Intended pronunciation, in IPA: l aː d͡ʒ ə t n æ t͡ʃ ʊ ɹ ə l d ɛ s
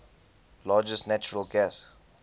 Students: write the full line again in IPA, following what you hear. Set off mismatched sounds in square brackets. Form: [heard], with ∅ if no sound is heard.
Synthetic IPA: l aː d͡ʒ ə [s] n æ t͡ʃ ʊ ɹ ə l [ɡ] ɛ s